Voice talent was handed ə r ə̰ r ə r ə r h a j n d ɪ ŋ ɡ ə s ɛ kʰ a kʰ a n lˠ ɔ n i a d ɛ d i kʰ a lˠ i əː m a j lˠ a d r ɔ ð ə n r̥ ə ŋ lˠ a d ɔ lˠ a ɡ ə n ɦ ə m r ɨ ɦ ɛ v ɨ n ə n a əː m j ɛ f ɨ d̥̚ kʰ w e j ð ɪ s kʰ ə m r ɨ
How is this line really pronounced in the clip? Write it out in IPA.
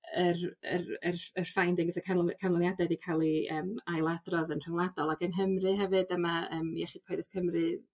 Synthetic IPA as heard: ə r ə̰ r ə r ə r f a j n d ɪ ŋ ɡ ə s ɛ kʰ a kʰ a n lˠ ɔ n j a d ɛ d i kʰ a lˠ i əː m a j lˠ a d r ɔ ð ə n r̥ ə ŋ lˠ a d ɔ lˠ a ɡ ə n ɦ ə m r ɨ ɦ ɛ v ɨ d ə m a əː m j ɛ χ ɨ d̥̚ kʰ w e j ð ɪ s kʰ ə m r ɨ